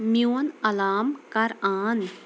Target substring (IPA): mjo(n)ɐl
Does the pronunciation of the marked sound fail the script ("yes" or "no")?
no